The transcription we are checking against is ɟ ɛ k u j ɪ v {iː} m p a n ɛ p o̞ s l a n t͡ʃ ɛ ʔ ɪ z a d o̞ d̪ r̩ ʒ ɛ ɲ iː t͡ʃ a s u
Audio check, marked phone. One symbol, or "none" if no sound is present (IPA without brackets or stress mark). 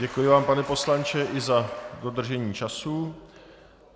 aː